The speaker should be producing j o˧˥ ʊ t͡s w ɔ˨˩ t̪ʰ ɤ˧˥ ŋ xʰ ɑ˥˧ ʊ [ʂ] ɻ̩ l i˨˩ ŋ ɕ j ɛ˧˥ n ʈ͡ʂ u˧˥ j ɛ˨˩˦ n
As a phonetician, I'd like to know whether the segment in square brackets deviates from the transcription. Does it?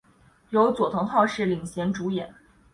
no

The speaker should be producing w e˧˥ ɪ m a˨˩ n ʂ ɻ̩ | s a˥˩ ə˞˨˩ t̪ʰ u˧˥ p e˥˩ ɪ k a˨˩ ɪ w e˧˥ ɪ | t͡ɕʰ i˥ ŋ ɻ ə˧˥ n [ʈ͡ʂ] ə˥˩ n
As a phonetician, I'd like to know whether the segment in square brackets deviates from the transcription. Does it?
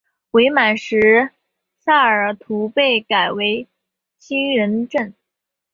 no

